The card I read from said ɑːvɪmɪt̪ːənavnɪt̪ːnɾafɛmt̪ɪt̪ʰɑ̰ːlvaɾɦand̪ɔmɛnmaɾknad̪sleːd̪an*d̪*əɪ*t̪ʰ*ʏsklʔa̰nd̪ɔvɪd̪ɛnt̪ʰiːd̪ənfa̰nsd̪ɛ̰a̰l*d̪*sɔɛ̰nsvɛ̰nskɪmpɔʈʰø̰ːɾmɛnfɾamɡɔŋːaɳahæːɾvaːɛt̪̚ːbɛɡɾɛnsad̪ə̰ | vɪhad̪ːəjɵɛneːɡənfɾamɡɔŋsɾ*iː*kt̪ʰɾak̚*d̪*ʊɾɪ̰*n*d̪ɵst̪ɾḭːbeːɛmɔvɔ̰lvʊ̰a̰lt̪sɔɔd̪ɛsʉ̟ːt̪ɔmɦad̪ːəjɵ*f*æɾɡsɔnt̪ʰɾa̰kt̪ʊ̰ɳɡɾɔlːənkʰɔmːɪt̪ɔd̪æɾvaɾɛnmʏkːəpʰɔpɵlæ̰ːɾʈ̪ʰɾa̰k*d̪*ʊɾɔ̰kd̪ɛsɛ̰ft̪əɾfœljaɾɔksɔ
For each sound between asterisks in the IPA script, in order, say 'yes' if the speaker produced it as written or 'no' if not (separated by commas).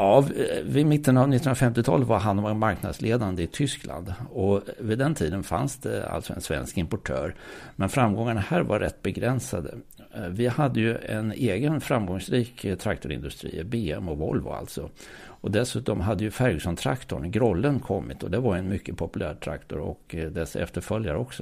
yes, yes, no, yes, no, yes, yes, no